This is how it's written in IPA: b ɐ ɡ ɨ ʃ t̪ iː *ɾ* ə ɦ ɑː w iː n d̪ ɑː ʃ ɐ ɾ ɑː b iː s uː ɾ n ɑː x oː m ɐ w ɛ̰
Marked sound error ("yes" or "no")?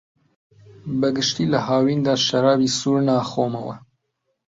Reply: yes